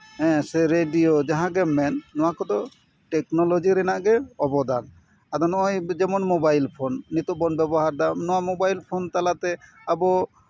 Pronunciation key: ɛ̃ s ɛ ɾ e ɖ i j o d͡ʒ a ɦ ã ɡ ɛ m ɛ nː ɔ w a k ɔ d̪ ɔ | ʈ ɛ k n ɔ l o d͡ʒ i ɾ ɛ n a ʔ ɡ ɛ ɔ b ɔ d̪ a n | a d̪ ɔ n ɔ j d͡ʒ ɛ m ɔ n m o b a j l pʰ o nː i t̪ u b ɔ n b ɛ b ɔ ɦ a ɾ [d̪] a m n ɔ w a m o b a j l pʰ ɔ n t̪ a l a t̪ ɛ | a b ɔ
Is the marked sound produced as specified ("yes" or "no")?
yes